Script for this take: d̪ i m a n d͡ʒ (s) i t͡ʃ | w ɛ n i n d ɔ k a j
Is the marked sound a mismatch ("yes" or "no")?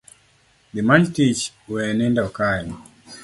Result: yes